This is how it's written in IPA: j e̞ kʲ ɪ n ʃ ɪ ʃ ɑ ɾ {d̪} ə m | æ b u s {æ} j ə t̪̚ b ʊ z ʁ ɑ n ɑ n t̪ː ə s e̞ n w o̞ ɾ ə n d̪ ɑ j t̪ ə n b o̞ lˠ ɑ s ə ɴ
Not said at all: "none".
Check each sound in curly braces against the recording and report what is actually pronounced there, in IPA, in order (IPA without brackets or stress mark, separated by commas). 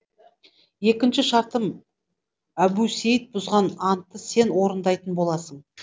t̪, e